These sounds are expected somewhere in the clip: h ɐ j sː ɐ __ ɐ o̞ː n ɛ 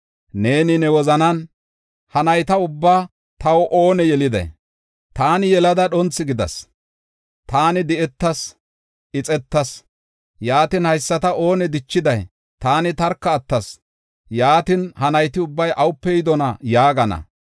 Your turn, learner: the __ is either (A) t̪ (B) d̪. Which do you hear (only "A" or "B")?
A